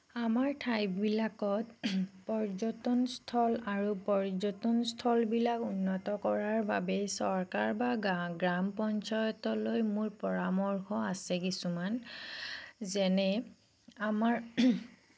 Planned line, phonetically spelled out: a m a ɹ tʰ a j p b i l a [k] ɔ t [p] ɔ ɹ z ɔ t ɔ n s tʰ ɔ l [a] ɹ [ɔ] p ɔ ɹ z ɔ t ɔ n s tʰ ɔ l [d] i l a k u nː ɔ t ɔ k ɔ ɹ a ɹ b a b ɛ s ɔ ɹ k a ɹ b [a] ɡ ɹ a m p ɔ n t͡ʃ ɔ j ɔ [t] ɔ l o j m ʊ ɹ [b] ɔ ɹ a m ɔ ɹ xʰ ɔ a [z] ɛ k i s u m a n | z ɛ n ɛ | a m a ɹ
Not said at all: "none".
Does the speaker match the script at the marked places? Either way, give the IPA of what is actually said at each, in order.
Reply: k, p, a, u, b, a, t, p, s

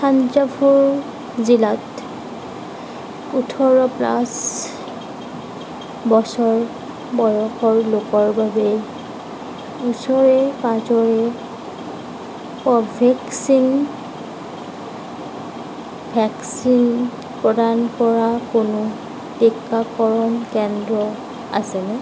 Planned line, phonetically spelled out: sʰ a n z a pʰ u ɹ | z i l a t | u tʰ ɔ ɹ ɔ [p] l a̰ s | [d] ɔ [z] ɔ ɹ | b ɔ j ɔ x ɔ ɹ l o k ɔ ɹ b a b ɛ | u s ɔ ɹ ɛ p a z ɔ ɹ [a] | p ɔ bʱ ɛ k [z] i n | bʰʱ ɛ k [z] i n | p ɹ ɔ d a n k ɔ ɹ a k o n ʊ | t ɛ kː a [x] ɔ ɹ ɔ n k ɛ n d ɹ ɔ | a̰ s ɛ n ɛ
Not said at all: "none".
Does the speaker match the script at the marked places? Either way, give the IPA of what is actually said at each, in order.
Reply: p, b, s, ɛ, s, s, k

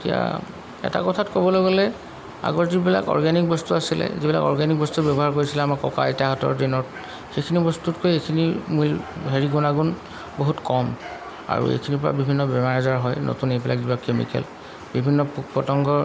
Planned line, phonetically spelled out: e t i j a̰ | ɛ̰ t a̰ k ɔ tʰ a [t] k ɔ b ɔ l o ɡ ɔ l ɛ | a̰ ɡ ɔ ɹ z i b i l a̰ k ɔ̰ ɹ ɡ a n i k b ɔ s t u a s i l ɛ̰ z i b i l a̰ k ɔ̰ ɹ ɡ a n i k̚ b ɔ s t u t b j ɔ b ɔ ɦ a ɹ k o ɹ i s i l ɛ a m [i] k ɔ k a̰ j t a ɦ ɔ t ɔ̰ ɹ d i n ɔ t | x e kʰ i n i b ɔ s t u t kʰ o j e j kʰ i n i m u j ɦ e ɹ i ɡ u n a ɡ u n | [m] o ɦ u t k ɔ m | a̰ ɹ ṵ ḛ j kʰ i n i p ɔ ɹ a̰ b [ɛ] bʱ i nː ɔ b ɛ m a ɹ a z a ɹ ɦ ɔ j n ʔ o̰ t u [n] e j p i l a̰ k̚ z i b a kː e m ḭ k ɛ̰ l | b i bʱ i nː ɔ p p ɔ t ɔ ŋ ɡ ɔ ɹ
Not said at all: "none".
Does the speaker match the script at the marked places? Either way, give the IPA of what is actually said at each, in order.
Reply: t, a, b, i, n

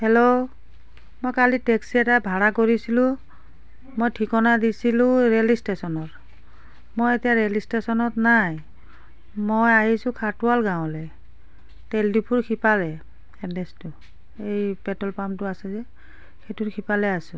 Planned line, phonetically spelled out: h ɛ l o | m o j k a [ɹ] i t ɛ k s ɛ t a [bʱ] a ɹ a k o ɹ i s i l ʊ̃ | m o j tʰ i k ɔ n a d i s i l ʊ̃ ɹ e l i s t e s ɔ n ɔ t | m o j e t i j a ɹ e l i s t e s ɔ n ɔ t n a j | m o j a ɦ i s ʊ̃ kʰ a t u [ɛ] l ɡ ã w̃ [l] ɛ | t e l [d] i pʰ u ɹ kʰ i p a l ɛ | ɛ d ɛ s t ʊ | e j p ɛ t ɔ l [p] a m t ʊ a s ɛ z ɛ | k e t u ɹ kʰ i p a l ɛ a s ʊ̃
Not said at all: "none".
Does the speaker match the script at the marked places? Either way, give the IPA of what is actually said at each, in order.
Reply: l, bʱ, a, l, d, p

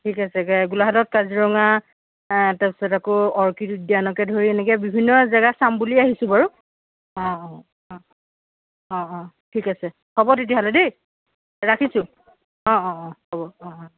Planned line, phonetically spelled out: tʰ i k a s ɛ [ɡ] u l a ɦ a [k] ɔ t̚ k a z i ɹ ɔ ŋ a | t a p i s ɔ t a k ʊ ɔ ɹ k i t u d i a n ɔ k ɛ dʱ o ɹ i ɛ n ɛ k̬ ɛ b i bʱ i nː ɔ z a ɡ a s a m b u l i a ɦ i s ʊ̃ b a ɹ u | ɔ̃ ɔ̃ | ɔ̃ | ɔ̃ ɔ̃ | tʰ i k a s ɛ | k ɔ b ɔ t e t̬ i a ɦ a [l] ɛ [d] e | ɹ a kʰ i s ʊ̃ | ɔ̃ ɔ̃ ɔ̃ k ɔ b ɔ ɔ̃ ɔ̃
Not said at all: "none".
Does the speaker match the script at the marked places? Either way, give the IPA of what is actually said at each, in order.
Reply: ɡ, t, l, d

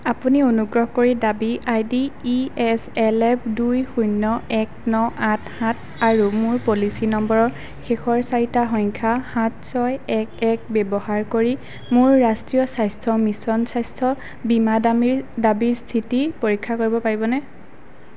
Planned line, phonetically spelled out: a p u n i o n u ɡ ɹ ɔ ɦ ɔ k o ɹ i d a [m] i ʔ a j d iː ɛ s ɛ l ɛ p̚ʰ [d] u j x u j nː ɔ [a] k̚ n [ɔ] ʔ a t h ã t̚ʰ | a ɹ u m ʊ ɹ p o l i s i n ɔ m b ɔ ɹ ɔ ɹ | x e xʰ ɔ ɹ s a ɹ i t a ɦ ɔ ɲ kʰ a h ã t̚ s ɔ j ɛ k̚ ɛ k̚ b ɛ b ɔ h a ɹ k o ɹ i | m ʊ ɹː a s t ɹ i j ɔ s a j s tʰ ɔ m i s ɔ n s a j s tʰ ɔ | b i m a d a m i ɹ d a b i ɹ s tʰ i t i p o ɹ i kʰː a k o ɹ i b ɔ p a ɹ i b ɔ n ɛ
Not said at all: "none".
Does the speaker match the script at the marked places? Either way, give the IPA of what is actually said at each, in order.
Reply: b, d, ɛ, ɔ

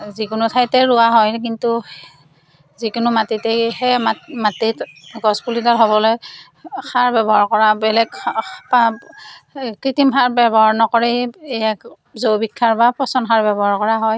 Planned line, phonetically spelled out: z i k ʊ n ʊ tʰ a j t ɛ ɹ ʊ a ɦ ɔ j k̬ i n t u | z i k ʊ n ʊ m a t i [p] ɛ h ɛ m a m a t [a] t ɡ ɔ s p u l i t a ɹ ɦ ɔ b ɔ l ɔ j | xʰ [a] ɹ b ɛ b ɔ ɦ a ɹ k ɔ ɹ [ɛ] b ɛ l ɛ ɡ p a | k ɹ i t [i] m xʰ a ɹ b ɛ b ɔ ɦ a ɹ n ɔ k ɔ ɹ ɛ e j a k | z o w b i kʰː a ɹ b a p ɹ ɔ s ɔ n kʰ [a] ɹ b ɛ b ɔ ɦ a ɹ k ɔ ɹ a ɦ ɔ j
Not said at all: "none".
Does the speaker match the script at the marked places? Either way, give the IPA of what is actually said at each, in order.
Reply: t, i, a, a, i, a

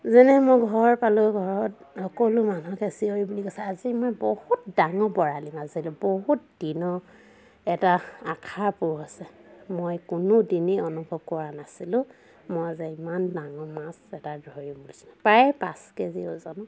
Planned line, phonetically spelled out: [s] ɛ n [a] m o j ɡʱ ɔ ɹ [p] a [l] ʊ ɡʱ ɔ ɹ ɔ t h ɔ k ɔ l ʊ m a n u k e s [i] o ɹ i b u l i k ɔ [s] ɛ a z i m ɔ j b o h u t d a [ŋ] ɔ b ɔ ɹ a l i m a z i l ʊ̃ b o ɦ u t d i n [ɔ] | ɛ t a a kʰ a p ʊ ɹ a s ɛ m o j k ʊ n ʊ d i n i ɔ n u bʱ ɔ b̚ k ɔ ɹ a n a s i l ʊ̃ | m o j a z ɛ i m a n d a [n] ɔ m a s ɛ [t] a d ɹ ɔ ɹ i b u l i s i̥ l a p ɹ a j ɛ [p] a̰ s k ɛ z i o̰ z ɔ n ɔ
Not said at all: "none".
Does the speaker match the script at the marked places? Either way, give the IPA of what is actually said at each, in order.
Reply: z, ɛ, p, l, i, s, ŋ, ɔ, ŋ, t, p

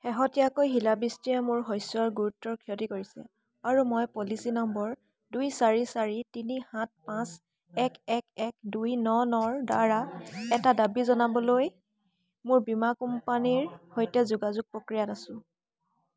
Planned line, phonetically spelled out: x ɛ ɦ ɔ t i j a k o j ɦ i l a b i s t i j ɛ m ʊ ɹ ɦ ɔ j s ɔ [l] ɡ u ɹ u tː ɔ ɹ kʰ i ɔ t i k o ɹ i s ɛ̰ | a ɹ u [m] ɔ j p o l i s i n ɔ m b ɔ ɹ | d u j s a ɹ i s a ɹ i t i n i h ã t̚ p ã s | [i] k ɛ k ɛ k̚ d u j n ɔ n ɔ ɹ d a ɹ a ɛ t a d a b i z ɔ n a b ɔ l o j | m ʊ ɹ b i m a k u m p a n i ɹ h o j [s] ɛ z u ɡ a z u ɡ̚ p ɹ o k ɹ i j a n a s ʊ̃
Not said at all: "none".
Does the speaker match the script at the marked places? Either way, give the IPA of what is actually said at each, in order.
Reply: ɹ, m, ɛ, t

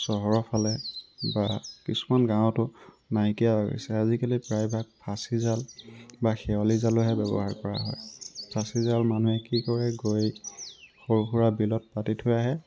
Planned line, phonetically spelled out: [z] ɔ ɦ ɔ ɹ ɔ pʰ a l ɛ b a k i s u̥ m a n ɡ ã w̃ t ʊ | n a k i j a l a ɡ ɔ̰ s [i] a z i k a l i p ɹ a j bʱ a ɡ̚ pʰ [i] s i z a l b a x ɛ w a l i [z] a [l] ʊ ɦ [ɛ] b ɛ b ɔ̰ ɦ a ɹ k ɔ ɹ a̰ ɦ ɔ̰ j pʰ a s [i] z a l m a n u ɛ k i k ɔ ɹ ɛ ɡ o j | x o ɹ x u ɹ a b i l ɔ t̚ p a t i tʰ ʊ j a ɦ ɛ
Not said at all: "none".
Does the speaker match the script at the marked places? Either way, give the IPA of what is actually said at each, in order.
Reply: s, ɛ, a, z, l, ɛ, i

